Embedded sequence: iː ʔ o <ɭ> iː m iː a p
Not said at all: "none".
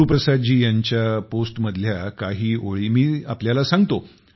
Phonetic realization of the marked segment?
ɭ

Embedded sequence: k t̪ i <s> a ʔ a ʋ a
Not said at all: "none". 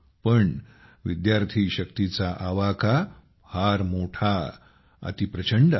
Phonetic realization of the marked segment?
t͡s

